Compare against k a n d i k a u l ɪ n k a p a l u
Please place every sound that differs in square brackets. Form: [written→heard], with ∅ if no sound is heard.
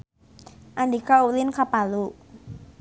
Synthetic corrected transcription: [k→ʔ] a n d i k a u l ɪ n k a p a l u